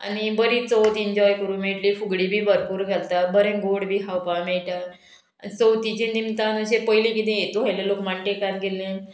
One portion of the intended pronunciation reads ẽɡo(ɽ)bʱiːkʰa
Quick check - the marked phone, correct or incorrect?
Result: correct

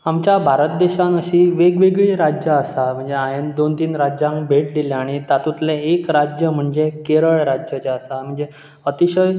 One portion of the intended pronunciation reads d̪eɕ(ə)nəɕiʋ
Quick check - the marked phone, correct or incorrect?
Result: incorrect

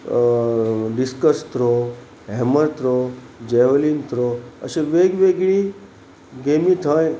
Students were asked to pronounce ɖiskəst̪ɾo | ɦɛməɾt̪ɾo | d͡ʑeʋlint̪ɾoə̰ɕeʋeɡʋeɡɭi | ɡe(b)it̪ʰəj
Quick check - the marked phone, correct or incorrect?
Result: incorrect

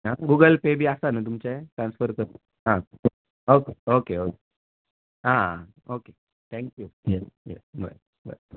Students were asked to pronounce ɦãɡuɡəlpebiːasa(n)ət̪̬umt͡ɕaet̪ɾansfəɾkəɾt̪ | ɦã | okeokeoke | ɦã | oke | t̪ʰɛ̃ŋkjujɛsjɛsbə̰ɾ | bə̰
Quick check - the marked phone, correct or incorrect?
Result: correct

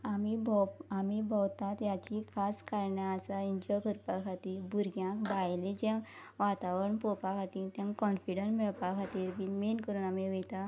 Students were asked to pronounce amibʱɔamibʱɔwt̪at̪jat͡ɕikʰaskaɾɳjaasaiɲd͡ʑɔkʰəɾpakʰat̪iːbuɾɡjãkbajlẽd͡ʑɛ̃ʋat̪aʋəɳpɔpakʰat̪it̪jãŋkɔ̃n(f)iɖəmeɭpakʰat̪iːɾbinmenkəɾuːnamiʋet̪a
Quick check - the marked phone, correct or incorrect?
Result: correct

